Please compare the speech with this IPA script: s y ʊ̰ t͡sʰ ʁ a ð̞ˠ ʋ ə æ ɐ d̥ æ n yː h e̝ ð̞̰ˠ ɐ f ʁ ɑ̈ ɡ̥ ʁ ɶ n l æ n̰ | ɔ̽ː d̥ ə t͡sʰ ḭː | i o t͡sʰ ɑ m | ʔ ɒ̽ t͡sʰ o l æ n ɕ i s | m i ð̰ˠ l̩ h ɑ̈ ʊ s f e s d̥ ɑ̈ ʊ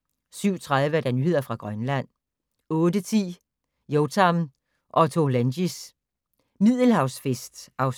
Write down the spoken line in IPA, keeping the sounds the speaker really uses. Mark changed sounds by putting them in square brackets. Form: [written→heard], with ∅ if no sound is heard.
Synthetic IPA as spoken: s y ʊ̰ t͡sʰ ʁ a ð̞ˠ ʋ ə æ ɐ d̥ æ n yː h e̝ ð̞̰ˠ ɐ f ʁ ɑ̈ ɡ̥ ʁ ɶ n l æ n̰ | ɔ̽ː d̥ ə t͡sʰ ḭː | [i→j] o t͡sʰ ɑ m | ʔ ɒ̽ t͡sʰ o l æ n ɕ i s | m i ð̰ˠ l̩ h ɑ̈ ʊ s f e s d̥ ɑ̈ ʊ